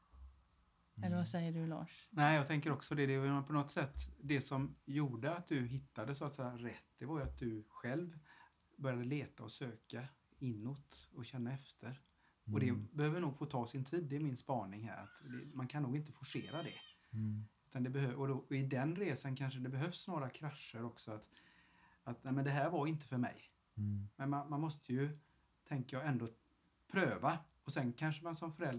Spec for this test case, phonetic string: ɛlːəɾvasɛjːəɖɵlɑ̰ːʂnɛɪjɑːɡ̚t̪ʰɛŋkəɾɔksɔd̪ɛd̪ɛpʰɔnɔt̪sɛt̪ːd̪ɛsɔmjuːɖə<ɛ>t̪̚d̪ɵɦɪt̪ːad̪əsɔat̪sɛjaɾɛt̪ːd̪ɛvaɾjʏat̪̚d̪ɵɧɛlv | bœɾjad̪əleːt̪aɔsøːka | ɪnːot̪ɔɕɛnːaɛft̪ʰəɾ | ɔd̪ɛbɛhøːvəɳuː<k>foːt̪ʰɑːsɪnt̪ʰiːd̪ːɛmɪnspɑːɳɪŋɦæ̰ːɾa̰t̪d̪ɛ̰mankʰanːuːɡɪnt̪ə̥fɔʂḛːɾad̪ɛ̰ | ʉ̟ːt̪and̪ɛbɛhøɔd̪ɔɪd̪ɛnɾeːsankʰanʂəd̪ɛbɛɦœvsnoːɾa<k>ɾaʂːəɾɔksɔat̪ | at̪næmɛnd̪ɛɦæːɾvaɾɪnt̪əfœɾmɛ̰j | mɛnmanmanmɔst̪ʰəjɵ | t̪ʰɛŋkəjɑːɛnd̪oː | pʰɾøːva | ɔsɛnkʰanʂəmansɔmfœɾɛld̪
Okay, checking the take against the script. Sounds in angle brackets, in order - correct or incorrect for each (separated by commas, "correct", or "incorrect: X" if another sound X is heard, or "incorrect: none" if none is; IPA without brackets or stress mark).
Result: incorrect: a, incorrect: ɡ, incorrect: kʰ